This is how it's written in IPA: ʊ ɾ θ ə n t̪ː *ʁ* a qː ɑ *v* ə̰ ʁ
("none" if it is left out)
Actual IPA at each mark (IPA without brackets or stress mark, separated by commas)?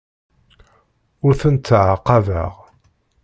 ʕ, v